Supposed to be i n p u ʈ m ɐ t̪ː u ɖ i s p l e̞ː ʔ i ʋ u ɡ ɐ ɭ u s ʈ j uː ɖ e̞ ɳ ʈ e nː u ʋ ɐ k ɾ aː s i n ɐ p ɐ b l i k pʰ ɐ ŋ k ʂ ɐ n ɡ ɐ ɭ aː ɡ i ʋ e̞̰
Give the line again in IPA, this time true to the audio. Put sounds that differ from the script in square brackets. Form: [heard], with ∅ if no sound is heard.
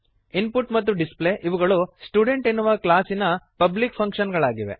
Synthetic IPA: i n p u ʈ m ɐ t̪ː u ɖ i s p l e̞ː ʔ i ʋ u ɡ ɐ ɭ u s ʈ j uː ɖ e̞ ɳ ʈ e nː u ʋ ɐ k [l] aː s i n ɐ p ɐ b l i k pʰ ɐ ŋ k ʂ ɐ n ɡ ɐ ɭ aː ɡ i ʋ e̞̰

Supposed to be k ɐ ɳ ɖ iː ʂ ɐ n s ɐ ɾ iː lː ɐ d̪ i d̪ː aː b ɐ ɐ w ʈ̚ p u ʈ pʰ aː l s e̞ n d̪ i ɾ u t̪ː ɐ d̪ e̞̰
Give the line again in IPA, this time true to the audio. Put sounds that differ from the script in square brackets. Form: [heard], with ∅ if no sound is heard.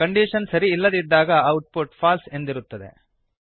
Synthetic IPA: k ɐ ɳ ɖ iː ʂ ɐ n s ɐ ɾ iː lː ɐ d̪ i d̪ː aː [ɡ] ɐ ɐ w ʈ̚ p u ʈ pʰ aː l s e̞ n d̪ i ɾ u t̪ː ɐ d̪ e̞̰

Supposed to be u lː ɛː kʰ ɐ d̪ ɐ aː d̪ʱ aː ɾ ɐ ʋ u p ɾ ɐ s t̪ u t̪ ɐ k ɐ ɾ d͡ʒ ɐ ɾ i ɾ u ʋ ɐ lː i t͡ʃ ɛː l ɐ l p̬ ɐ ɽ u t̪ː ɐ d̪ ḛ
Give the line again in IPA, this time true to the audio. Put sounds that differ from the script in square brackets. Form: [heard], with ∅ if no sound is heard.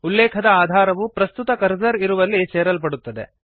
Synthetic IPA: u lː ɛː kʰ ɐ d̪ ɐ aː d̪ʱ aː ɾ ɐ ʋ u p ɾ ɐ s t̪ u t̪ ɐ k ɐ ɾ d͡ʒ ɐ ɾ i ɾ u ʋ ɐ lː i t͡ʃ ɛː [ɾ] ɐ l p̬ ɐ ɽ u t̪ː ɐ d̪ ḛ

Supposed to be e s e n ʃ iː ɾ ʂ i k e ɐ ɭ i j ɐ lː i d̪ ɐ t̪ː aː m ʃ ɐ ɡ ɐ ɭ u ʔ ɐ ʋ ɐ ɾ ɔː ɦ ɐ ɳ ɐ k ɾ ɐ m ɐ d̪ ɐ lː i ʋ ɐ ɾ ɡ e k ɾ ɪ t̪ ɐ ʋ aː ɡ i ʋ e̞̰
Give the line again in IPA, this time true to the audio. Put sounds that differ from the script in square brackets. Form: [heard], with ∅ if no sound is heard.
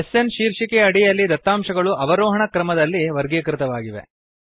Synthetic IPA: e s e n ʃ iː ɾ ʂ i k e ɐ [ɽ] i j ɐ lː i d̪ ɐ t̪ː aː m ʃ ɐ ɡ ɐ ɭ u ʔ ɐ ʋ ɐ ɾ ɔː ɦ ɐ ɳ ɐ k ɾ ɐ m ɐ d̪ ɐ lː i ʋ ɐ ɾ ɡ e k ɾ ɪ t̪ ɐ ʋ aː ɡ i ʋ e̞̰

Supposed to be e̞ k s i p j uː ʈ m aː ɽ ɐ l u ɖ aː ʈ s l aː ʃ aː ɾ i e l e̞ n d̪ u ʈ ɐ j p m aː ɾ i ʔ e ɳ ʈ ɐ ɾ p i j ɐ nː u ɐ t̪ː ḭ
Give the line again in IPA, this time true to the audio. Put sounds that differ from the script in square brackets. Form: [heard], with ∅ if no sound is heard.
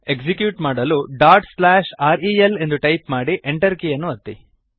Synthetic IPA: e̞ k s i [k] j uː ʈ m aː ɽ ɐ l u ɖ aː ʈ s l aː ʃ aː ɾ i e l e̞ n d̪ u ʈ ɐ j p m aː [ɽ] i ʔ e ɳ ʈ ɐ ɾ [k] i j ɐ nː u ɐ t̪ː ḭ

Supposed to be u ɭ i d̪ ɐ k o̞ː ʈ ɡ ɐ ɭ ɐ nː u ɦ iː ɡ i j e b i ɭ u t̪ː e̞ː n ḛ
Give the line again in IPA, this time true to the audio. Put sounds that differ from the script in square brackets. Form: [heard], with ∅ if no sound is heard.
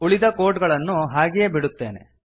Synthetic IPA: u ɭ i d̪ ɐ k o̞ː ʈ ɡ ɐ ɭ ɐ nː u ɦ [aː] ɡ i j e b i [ɽ] u t̪ː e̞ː n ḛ

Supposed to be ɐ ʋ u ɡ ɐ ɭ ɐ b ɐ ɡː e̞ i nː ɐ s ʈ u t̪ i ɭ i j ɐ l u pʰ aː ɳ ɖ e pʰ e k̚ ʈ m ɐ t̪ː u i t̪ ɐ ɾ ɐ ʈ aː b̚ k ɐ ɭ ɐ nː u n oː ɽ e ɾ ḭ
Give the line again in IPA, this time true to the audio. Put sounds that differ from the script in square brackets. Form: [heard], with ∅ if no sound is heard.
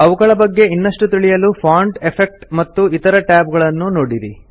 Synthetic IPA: ɐ ʋ u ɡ ɐ ɭ ɐ b ɐ ɡː e̞ i nː ɐ [ʂ] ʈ u t̪ i ɭ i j ɐ l u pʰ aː ɳ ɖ e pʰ e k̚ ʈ m ɐ t̪ː u i t̪ ɐ ɾ ɐ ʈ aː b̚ [ɡ] ɐ ɭ ɐ nː u n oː ɽ [i] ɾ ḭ

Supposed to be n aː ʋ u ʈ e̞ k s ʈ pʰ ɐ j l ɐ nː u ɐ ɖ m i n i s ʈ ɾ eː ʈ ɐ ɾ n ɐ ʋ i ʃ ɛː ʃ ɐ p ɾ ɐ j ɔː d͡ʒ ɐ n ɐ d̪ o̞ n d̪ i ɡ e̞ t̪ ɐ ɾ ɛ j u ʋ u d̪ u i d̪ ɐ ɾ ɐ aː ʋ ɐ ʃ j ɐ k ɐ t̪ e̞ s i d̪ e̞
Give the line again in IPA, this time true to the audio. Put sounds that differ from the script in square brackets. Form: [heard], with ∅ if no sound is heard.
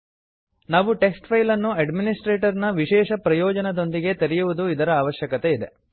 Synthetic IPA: n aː ʋ u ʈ e̞ k s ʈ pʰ ɐ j l ɐ nː u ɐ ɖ m i n i s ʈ ɾ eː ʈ ɐ ɾ n ɐ ʋ i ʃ ɛː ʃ ɐ p ɾ ɐ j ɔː d͡ʒ ɐ n ɐ d̪ o̞ n d̪ i ɡ e̞ t̪ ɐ ɾ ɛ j u ʋ u d̪ u i d̪ ɐ ɾ ɐ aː ʋ ɐ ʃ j ɐ k ɐ t̪ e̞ [∅] i d̪ e̞

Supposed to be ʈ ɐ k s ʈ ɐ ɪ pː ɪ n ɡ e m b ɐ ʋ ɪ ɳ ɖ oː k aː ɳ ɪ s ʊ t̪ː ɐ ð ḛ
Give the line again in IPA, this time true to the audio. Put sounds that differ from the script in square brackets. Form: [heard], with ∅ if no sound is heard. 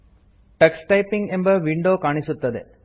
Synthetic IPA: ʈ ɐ k s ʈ ɐ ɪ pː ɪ [ŋ] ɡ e m b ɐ ʋ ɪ ɳ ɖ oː k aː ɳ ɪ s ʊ t̪ː ɐ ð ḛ

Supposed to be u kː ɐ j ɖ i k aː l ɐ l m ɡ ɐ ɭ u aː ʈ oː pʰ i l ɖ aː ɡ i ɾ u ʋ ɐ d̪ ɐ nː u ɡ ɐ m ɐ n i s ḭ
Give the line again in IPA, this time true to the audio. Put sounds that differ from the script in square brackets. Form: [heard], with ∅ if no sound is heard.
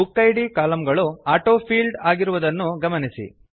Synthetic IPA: u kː ɐ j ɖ i k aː l ɐ [∅] m ɡ ɐ ɭ u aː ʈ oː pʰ [iː] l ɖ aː ɡ i ɾ u ʋ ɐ d̪ ɐ nː u ɡ ɐ m ɐ n i s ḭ

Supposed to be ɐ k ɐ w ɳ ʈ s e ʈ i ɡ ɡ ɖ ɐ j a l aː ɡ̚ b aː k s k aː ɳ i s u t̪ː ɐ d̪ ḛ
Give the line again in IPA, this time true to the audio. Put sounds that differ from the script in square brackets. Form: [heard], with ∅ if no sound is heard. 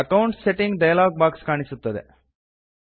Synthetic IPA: ɐ k ɐ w ɳ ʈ s e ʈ i [ŋ] ɡ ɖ ɐ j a l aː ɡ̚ b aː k s k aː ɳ i s u t̪ː ɐ d̪ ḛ

